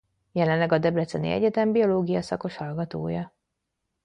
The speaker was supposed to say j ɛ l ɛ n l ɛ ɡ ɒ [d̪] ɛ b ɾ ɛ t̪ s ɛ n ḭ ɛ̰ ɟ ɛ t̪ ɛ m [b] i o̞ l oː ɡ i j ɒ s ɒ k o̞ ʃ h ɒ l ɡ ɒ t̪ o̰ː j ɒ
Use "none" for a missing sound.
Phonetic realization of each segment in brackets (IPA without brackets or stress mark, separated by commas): d̪, b